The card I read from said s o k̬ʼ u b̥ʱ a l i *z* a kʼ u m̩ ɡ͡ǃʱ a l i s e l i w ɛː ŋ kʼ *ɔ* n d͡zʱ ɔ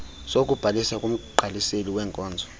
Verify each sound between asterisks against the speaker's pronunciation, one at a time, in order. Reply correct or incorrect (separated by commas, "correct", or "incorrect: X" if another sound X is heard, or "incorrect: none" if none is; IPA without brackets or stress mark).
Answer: incorrect: s, incorrect: ɔː